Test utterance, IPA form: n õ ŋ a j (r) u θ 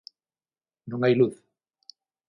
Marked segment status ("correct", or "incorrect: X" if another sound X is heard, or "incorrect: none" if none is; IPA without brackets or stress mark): incorrect: l